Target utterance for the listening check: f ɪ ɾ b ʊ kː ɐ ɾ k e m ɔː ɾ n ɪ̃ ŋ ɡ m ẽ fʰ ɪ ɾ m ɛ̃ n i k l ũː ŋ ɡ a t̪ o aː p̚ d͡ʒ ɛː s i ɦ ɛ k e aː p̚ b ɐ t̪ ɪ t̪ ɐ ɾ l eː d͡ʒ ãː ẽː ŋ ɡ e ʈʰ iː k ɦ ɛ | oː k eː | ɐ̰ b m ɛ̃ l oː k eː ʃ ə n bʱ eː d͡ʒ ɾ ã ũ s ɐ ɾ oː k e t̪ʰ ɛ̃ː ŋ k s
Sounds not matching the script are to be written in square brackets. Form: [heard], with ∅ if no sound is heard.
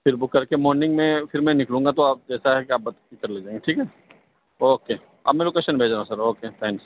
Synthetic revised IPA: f ɪ ɾ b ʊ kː ɐ ɾ k e m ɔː ɾ n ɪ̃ ŋ ɡ m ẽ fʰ ɪ ɾ m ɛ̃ n [ɪ] k l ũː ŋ ɡ a t̪ o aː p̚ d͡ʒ ɛː s [a] ɦ ɛ k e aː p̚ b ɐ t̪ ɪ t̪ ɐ ɾ l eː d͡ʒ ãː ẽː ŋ ɡ e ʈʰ iː k ɦ ɛ | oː k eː | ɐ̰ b m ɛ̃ l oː k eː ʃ ə n bʱ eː d͡ʒ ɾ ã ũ s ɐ ɾ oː k e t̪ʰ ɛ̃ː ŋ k s